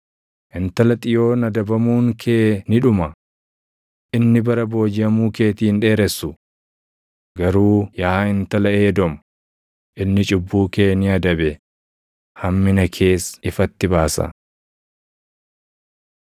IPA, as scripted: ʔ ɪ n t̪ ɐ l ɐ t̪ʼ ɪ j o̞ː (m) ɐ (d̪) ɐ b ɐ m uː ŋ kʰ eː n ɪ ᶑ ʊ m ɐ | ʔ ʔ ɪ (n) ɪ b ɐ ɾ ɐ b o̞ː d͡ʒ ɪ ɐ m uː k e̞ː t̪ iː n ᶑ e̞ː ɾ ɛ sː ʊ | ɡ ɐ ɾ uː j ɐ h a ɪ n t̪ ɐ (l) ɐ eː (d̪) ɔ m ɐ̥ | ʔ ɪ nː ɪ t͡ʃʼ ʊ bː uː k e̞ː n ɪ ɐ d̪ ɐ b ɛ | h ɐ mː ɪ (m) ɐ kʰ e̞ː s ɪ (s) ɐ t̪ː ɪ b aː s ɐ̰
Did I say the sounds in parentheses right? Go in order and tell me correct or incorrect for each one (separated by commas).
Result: incorrect, correct, incorrect, correct, correct, incorrect, incorrect